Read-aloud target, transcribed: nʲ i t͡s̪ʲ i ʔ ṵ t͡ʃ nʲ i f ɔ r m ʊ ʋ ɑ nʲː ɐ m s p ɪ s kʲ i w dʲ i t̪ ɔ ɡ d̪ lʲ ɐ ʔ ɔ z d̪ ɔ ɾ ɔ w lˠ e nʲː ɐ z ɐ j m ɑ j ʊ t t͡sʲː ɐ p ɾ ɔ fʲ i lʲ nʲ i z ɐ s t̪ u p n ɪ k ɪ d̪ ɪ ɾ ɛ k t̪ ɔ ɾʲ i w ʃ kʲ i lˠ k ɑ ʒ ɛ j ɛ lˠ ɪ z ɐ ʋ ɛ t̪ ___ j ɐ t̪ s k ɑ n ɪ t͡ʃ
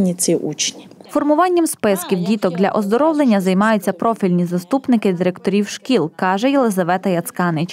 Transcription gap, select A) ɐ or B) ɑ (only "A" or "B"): A